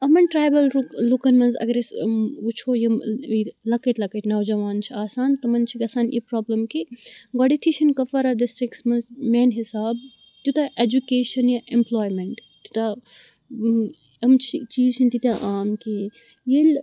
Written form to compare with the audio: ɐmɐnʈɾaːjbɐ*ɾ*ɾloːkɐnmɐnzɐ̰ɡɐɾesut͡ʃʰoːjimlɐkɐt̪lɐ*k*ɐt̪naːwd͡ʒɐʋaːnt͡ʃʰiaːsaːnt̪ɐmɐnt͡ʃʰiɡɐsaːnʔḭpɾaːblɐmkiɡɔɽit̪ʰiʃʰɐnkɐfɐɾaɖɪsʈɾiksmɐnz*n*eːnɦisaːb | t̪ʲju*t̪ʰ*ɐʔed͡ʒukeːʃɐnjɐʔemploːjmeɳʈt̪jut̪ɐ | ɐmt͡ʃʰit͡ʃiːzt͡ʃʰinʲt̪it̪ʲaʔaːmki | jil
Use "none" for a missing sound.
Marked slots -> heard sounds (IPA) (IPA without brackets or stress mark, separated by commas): l, k, m, t̪